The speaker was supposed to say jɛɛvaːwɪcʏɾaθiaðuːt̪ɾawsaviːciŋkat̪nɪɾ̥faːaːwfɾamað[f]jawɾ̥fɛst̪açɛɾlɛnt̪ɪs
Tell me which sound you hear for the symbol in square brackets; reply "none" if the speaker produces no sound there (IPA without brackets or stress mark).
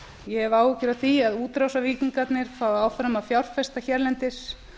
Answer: f